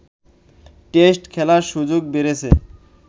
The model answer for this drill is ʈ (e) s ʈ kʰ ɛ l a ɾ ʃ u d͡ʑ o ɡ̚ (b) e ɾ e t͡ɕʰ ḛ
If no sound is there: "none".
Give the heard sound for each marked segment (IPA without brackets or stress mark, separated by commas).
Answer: e, b